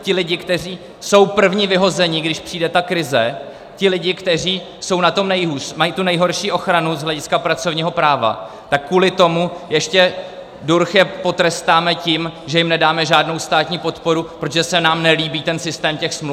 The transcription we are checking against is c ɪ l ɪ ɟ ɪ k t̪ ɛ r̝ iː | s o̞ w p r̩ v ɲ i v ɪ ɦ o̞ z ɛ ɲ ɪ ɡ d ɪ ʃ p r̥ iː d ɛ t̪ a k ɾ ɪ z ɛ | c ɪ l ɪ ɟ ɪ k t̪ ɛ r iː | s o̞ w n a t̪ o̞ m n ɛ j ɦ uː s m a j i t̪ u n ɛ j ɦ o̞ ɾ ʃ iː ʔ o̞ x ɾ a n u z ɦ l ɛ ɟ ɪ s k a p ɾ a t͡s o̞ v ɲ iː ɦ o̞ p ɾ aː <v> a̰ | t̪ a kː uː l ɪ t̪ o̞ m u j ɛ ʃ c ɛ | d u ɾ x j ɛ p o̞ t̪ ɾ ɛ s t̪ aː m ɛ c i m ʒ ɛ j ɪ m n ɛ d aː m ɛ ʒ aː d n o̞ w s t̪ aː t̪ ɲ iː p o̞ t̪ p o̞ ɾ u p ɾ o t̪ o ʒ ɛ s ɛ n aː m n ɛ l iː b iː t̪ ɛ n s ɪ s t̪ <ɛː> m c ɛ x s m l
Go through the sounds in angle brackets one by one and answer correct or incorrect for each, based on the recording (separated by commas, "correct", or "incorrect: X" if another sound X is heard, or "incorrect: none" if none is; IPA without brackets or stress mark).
correct, correct